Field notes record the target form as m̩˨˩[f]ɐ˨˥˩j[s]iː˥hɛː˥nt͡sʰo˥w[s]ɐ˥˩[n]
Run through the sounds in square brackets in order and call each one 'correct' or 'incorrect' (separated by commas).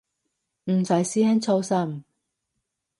incorrect, correct, correct, incorrect